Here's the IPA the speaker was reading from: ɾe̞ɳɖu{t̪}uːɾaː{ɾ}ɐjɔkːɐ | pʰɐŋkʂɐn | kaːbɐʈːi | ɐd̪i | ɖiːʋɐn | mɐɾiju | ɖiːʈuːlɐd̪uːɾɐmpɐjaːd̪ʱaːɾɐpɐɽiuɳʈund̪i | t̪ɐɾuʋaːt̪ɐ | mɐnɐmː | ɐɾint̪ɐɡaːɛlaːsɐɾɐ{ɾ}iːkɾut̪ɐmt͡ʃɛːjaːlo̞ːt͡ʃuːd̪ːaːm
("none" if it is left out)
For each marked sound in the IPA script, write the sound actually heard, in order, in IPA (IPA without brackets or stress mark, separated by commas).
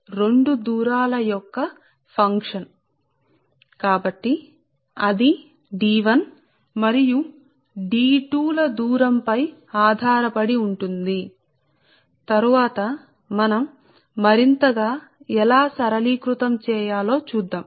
d̪, l, l